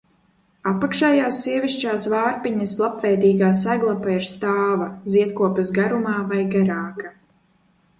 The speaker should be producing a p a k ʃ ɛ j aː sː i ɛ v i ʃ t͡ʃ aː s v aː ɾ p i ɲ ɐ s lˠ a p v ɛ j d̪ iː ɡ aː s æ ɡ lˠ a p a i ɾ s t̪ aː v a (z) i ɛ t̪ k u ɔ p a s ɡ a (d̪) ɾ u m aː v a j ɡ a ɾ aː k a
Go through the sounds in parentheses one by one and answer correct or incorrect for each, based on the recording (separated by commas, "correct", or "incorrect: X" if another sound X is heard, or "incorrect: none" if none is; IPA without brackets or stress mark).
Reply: correct, incorrect: none